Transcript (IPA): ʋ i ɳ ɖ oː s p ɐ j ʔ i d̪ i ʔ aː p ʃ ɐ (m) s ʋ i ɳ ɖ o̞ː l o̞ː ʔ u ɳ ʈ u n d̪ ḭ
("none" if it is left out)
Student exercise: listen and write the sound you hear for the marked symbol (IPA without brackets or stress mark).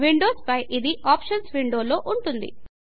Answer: n